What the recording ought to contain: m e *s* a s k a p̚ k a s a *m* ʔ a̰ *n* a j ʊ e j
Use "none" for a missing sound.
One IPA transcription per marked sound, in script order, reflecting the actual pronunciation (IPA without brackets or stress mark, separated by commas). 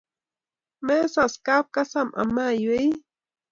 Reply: s, m, m